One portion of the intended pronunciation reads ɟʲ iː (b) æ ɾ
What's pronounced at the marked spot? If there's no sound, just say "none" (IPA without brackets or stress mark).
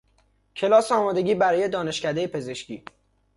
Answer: b